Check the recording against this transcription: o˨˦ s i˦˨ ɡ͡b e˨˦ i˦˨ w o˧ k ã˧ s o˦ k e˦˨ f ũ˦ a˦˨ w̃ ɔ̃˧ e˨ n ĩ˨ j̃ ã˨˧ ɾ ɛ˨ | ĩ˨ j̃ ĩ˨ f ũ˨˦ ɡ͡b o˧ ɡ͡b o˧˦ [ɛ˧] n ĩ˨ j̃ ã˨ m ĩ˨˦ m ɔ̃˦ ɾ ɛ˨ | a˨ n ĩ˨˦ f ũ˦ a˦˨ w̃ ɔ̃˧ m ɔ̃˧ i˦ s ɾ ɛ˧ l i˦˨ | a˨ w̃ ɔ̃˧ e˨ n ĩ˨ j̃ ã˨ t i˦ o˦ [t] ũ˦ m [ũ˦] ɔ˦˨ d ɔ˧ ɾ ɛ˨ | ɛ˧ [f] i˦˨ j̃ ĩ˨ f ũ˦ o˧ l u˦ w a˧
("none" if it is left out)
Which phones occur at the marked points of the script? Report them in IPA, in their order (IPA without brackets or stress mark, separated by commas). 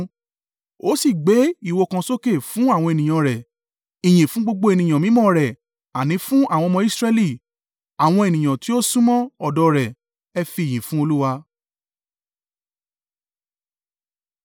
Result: e˧, s, ɔ̃˦, f